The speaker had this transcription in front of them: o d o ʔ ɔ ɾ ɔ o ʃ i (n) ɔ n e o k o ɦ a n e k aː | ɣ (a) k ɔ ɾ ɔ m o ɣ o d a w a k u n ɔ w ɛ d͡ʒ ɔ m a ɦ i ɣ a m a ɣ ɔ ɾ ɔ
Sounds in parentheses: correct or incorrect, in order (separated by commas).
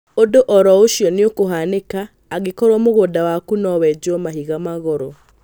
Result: incorrect, incorrect